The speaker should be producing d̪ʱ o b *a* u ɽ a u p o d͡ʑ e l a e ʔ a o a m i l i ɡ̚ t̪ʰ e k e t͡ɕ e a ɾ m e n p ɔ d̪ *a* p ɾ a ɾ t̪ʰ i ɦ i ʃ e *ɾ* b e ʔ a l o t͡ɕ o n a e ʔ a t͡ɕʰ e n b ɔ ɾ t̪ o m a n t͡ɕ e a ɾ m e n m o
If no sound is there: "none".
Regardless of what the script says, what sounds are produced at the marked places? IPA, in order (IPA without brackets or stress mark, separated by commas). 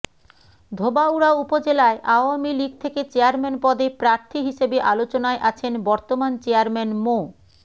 a, e, none